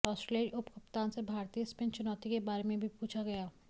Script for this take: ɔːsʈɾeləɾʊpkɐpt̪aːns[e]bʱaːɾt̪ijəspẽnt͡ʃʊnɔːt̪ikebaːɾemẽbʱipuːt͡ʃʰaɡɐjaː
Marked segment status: correct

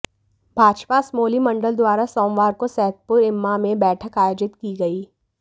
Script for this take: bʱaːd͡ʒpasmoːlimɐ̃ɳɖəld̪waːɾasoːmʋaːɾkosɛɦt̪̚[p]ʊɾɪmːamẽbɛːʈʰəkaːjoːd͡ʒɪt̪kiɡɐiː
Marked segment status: correct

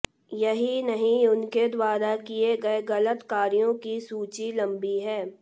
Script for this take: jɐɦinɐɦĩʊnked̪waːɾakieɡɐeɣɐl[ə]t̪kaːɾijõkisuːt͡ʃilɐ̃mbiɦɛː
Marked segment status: correct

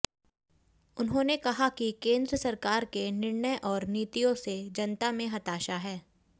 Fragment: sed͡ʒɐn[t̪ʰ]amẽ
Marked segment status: incorrect: t̪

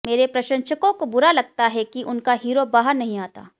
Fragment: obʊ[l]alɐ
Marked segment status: incorrect: ɾ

